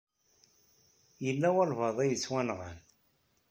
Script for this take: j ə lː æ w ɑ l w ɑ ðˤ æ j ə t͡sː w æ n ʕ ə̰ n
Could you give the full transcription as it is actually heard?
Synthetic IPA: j ə lː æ w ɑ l v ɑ ðˤ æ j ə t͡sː w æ n ʁ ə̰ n